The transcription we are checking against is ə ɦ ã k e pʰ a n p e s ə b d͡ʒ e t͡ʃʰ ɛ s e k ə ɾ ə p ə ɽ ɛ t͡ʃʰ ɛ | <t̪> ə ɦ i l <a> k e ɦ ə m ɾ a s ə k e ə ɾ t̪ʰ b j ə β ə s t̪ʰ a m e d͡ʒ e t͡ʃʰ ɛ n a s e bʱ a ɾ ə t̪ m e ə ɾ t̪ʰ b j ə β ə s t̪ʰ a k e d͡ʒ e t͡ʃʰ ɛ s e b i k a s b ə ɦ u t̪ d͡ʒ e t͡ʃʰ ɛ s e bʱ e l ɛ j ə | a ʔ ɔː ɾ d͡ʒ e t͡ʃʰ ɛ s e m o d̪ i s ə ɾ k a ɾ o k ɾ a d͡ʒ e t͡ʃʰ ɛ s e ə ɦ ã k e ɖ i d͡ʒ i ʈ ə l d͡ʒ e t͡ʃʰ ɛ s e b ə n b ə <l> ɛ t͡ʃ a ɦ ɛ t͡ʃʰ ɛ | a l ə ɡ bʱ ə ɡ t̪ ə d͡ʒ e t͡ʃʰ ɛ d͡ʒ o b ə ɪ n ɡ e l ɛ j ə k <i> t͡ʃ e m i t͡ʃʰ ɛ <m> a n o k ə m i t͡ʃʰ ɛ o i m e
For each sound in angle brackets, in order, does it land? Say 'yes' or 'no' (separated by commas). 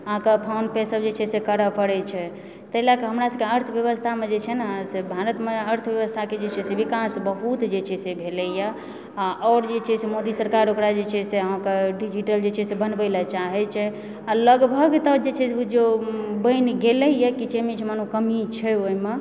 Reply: yes, yes, yes, yes, yes